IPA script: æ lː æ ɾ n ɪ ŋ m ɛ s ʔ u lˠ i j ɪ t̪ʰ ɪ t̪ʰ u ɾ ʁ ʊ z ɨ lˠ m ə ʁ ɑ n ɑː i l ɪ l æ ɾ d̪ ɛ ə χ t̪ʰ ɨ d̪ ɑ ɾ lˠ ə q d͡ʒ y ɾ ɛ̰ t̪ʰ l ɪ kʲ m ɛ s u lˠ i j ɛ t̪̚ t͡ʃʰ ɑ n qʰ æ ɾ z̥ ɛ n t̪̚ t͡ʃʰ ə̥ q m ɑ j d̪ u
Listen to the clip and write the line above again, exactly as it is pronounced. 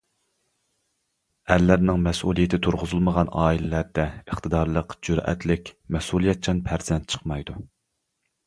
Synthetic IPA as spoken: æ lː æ ɾ n ɪ ŋ m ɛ s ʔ u lˠ i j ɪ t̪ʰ ɪ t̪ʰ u ɾ ʁ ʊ z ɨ lˠ m ə ʁ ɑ n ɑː i l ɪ l æ ɾ d̪ ɛ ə χ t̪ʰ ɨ d̪ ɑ ɾ lˠ ə q d͡ʒ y ɾ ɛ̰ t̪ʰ l ɪ kʲ m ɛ s u lˠ i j ɛ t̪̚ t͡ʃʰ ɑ n pʰ æ ɾ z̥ ɛ n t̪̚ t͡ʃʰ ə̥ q m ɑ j d̪ u